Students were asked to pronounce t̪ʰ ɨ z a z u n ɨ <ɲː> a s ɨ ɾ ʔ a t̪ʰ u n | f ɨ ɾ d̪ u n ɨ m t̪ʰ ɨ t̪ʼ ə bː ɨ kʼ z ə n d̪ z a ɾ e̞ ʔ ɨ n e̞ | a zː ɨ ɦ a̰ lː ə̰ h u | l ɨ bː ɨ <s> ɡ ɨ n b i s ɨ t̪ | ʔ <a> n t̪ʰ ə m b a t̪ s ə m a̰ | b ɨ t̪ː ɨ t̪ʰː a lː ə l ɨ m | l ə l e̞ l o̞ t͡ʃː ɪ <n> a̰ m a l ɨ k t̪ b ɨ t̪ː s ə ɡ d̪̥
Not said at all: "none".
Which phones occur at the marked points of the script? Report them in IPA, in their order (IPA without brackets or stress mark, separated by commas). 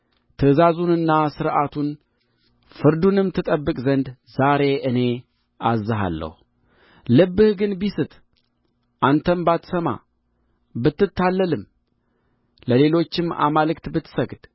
nː, h, a, m